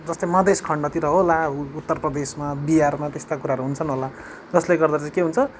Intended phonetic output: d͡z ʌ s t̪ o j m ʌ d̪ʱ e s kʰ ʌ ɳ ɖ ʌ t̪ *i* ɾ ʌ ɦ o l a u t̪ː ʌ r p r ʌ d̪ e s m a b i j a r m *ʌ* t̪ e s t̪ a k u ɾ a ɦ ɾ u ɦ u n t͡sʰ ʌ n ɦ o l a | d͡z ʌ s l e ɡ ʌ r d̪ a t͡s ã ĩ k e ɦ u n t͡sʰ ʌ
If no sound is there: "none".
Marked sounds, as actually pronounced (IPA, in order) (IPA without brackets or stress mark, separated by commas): i, a